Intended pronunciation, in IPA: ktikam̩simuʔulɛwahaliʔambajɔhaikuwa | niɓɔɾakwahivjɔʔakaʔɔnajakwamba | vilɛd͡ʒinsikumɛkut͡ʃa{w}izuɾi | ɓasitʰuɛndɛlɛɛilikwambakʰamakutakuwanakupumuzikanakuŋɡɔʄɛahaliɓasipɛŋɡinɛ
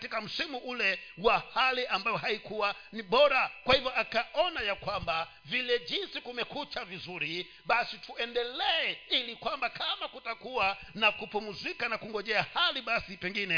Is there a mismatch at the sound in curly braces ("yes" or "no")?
yes